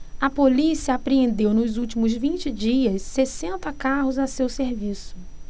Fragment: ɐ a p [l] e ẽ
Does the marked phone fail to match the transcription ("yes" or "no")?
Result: yes